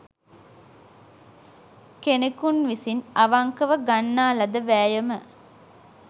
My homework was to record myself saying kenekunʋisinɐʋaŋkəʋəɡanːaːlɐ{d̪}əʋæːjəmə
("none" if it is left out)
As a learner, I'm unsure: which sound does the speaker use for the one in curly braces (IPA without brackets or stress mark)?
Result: d̪